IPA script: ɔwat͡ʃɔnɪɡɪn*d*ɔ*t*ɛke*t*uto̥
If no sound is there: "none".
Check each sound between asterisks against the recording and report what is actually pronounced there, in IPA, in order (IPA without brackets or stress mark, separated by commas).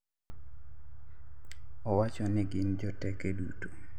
d͡ʒ, t, d